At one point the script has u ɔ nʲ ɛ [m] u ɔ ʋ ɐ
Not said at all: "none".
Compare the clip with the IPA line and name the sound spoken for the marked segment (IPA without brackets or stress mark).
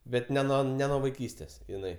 n